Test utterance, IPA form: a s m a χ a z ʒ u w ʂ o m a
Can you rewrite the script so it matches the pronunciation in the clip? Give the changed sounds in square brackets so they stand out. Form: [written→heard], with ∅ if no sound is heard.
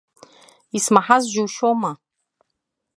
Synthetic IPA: [a→i] s m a [χ→ħ] a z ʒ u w [ʂ→ʃ] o m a